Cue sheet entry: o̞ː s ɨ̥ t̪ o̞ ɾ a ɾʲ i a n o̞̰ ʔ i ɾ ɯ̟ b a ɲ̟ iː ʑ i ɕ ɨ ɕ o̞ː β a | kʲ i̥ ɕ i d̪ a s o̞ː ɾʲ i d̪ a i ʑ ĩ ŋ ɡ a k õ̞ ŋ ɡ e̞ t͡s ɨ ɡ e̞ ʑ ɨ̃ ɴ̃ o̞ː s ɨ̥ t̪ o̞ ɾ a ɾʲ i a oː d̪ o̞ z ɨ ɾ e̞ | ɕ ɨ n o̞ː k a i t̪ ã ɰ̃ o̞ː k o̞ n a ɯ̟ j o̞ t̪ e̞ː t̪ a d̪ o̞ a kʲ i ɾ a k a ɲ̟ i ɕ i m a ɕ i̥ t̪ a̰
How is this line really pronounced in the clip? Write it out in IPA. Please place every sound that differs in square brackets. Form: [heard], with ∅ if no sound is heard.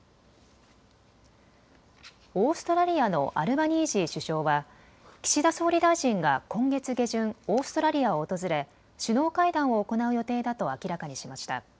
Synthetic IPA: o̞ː s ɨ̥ t̪ o̞ ɾ a ɾʲ i a n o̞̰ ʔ [a] ɾ ɯ̟ b a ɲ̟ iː ʑ i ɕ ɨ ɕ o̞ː β a | kʲ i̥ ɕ i d̪ a s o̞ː ɾʲ i d̪ a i ʑ ĩ ŋ ɡ a k õ̞ ŋ ɡ e̞ t͡s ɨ ɡ e̞ ʑ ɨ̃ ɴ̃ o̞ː s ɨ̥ t̪ o̞ ɾ a ɾʲ i a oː [t̪] o̞ z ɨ ɾ e̞ | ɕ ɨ n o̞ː k a i [d̪] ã ɰ̃ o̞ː k o̞ n a ɯ̟ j o̞ t̪ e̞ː [d̪] a [t̪] o̞ a kʲ i ɾ a k a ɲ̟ i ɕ i m a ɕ i̥ t̪ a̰